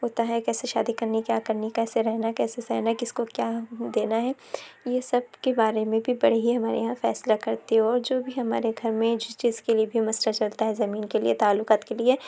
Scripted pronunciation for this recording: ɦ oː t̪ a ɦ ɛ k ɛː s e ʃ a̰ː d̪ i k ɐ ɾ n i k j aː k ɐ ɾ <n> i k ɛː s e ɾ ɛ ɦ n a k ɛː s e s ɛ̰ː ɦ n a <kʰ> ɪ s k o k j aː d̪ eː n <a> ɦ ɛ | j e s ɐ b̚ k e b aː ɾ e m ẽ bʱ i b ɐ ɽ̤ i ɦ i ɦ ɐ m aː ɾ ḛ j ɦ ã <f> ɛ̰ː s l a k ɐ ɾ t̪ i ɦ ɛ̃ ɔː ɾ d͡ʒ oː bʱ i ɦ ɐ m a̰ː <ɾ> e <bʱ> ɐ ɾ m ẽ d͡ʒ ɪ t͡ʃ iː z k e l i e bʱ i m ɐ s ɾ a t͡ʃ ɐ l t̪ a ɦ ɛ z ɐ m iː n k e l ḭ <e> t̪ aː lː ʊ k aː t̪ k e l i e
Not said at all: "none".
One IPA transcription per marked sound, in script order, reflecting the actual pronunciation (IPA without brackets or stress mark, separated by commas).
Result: n, k, a, f, ɾ, ɡʱ, e